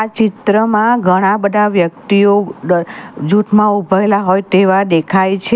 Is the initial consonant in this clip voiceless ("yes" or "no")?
yes